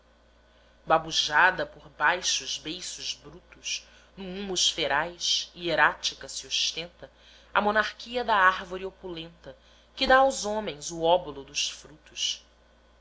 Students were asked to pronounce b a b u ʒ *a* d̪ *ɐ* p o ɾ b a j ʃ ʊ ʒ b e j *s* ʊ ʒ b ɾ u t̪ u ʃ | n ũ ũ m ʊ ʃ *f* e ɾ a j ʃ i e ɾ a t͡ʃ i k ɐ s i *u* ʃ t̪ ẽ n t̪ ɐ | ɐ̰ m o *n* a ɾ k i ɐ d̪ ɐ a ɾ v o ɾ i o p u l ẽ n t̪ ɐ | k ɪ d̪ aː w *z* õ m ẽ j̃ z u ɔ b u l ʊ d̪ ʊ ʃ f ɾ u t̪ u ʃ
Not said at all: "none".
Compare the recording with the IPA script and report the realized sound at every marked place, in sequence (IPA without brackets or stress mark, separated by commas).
a, ɐ, s, f, o, n, z